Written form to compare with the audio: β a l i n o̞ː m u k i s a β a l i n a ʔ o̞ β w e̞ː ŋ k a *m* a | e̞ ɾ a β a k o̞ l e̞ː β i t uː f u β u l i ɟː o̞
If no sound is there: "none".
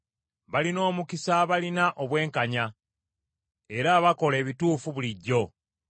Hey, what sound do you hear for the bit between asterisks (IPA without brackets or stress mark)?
ɲ